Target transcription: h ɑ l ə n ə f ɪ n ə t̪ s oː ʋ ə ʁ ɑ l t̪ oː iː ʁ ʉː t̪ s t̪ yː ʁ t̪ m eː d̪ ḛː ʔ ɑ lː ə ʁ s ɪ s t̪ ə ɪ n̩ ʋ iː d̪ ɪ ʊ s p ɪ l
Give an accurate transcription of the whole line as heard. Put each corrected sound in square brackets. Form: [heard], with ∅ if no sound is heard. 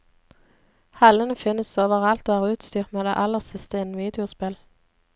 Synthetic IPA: h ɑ l ə n ə f ɪ n ə [∅] s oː ʋ ə ʁ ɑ l t̪ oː [æː] ʁ ʉː t̪ s t̪ yː ʁ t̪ m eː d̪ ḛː ʔ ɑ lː ə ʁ s ɪ s t̪ ə ɪ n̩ ʋ iː d̪ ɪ ʊ s p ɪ l